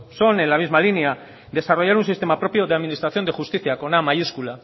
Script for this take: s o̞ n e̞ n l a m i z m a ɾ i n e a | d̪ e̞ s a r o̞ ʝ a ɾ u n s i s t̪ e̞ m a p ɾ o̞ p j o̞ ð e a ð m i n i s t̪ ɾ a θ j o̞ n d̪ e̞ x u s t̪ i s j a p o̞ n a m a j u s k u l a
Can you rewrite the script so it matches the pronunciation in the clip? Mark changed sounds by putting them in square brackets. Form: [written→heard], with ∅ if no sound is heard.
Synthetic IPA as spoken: s o̞ n e̞ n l a m i z m a [ɾ→l] i n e a | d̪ e̞ s a r o̞ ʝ a ɾ u n s i s t̪ e̞ m a p ɾ o̞ p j o̞ ð e a ð m i n i s t̪ ɾ a θ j o̞ n d̪ e̞ x u s t̪ i [s→θ] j a [p→k] o̞ n a m a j u s k u l a